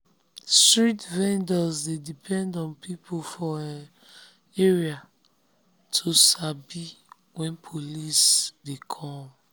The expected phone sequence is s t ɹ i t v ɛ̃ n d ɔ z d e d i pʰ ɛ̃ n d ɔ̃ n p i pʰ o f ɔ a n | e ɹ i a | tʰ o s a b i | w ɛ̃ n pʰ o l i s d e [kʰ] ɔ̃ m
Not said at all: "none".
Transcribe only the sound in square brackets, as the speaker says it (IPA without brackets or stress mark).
kʰ